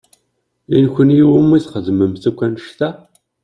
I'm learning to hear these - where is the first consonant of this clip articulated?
tongue tip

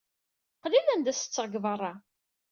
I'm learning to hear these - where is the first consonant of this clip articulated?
uvula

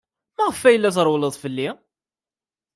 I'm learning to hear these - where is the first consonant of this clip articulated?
lips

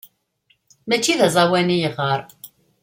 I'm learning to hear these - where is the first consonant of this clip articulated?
lips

